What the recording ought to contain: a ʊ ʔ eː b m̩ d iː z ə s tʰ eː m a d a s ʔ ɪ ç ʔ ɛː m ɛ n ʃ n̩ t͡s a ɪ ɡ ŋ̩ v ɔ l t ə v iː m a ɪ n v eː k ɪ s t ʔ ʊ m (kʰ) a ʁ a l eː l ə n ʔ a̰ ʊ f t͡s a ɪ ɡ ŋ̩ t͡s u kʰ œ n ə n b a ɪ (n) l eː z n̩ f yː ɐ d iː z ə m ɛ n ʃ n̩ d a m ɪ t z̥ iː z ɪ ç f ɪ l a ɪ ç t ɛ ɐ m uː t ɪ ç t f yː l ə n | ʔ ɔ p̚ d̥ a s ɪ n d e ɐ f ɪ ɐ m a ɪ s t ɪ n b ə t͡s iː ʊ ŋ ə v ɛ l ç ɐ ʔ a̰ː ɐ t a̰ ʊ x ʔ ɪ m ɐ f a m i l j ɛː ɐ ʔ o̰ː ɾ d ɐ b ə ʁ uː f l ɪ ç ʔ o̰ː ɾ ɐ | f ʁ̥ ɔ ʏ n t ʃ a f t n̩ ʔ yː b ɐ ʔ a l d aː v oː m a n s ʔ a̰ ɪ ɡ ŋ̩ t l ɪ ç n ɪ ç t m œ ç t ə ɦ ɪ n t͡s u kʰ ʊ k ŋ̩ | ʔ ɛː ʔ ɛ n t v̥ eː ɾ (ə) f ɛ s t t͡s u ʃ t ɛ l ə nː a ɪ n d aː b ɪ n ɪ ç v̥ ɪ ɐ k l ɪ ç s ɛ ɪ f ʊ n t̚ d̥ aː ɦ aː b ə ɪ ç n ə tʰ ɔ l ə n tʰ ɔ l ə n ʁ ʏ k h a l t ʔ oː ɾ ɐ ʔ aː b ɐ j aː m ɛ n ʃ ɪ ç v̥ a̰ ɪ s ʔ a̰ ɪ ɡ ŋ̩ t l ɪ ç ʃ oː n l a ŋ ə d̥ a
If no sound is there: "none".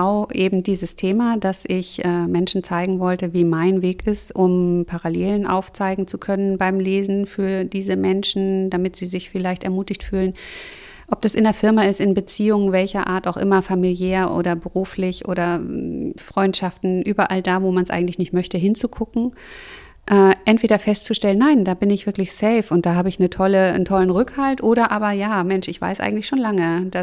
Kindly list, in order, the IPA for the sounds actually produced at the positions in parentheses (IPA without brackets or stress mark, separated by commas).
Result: pʰ, m, ɐ